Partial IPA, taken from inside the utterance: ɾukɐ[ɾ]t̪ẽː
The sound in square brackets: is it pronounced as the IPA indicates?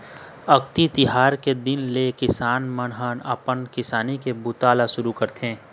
yes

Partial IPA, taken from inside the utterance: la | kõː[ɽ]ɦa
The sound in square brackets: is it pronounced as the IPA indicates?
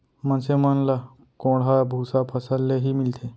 yes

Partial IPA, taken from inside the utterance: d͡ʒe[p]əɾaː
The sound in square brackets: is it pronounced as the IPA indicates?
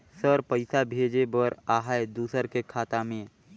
no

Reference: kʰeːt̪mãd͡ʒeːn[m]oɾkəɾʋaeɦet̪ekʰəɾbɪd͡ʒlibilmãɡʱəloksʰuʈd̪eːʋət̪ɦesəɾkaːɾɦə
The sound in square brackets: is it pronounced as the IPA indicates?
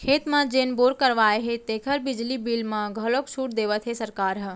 no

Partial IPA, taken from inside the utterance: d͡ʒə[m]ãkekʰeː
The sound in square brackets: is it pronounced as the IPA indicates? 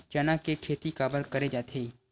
no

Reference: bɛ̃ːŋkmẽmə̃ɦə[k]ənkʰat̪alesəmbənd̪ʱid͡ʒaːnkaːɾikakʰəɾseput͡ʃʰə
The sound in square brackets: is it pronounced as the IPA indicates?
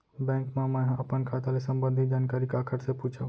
no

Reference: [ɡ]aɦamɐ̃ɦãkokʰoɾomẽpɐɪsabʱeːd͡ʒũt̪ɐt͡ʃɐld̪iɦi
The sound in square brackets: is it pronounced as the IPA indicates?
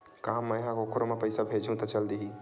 no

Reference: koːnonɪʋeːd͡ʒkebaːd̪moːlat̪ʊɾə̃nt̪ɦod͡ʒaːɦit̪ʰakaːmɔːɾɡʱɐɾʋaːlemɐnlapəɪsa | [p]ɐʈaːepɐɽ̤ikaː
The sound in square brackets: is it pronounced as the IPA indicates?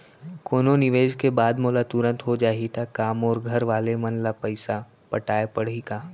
yes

